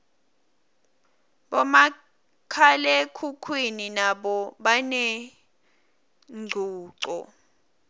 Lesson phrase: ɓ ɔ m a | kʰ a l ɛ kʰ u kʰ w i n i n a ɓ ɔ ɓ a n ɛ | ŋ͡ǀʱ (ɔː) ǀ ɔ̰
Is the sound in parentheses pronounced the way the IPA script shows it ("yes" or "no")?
no